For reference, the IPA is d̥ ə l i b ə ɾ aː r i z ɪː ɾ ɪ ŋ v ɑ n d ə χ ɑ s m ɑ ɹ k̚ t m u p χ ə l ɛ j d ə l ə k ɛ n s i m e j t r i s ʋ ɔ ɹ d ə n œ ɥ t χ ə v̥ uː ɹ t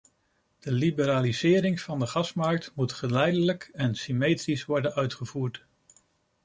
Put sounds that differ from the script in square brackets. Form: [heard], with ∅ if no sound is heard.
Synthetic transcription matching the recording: d̥ ə l i b ə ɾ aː [l] i z ɪː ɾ ɪ ŋ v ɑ n d ə χ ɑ s m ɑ ɹ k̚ t m u [t] χ ə l ɛ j d ə l ə k ɛ n s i m e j t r i s ʋ ɔ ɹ d ə n œ ɥ t χ ə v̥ uː ɹ t